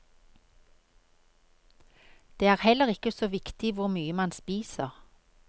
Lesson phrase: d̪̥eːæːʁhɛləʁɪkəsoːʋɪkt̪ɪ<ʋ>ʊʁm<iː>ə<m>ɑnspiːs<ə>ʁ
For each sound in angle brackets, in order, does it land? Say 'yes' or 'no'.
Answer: yes, no, yes, yes

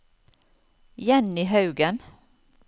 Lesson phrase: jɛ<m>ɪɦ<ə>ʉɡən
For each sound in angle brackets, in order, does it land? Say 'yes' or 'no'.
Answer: no, no

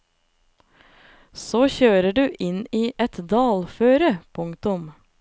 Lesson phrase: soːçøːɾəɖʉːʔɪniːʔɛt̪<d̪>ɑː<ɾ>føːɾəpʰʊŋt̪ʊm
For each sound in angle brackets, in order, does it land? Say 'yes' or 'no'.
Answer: yes, no

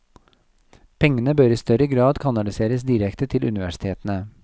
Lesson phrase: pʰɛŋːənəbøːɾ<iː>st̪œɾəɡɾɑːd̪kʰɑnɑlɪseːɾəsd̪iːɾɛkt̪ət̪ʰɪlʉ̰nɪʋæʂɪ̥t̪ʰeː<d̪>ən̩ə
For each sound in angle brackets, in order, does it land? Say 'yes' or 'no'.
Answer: yes, no

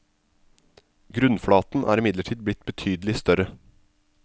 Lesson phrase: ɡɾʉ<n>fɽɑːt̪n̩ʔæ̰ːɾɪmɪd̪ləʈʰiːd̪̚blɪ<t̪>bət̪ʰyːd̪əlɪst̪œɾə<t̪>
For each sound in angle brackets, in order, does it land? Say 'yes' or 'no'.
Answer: yes, yes, no

